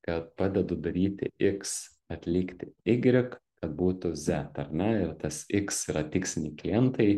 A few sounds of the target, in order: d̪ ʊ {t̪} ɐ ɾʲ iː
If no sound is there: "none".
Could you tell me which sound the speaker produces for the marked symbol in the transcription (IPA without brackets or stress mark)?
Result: d̪